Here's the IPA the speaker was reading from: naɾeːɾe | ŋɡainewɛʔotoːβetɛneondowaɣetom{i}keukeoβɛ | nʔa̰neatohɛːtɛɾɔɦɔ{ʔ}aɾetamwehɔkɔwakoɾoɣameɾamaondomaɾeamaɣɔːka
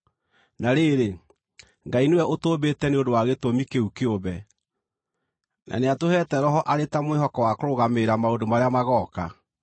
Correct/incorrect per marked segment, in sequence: correct, correct

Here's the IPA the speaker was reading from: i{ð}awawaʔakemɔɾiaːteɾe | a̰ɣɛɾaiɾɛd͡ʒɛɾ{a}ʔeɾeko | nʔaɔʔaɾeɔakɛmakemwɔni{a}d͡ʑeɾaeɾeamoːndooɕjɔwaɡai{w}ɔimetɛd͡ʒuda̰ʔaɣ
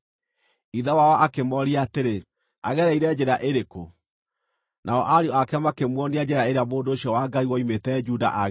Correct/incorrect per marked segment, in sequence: correct, correct, correct, correct

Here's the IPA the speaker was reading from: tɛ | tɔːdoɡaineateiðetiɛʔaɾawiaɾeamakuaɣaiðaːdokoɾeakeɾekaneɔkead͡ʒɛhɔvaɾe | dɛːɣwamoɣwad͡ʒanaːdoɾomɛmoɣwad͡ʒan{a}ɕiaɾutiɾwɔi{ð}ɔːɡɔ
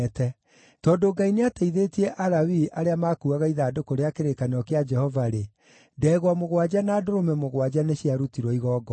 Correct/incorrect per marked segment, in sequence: incorrect, incorrect

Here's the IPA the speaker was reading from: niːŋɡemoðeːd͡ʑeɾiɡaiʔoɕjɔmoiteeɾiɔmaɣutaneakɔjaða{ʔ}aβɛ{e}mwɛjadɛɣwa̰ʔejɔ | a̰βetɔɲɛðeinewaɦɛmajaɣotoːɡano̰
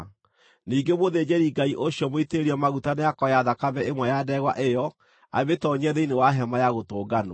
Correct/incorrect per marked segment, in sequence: incorrect, correct

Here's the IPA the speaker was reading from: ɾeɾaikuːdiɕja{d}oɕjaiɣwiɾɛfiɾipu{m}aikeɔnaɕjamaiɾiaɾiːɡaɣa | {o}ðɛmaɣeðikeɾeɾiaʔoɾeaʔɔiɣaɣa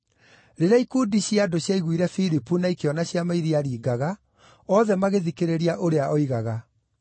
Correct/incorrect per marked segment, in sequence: correct, incorrect, incorrect

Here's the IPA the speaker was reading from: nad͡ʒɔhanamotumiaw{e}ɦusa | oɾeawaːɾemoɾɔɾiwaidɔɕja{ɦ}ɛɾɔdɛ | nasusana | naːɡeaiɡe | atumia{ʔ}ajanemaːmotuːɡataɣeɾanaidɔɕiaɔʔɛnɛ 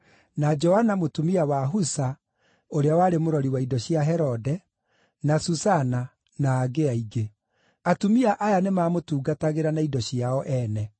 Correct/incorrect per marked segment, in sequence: incorrect, correct, correct

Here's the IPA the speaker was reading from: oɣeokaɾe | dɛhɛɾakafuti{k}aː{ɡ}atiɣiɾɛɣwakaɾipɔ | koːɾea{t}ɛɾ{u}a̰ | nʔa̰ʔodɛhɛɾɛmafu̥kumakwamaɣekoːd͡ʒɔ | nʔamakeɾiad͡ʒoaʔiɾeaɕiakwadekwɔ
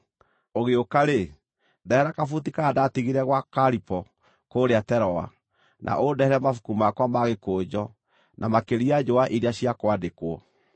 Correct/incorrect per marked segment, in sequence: correct, incorrect, correct, incorrect

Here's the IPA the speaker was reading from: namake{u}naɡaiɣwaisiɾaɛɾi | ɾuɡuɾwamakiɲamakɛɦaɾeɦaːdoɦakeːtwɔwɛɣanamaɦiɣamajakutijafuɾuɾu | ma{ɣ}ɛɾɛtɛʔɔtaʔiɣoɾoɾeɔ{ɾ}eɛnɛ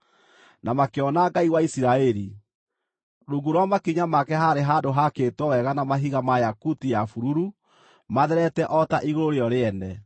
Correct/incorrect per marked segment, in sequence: incorrect, incorrect, correct

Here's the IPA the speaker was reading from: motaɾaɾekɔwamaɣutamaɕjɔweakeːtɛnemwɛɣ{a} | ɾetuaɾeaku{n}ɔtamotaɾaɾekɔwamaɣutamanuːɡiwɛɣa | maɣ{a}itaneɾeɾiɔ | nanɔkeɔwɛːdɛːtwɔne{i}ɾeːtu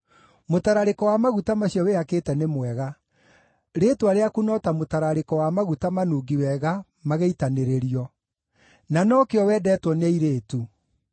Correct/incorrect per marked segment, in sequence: correct, correct, incorrect, correct

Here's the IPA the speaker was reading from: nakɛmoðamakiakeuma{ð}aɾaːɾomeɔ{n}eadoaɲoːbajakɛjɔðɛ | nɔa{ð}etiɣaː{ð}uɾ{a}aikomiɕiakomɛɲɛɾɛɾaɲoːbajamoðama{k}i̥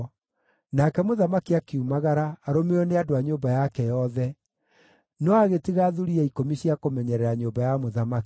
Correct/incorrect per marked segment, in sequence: incorrect, correct, incorrect, correct, incorrect, correct

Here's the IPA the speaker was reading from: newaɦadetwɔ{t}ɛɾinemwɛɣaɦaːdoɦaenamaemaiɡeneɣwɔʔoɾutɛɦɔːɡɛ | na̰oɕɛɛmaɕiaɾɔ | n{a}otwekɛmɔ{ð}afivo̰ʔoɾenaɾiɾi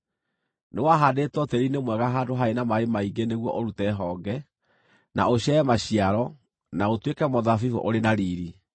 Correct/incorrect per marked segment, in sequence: correct, correct, correct

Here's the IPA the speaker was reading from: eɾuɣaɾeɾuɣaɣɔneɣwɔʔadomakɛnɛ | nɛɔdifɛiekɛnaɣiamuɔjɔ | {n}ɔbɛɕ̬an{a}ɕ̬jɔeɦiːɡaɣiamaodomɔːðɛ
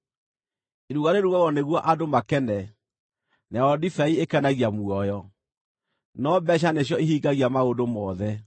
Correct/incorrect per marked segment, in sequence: correct, incorrect

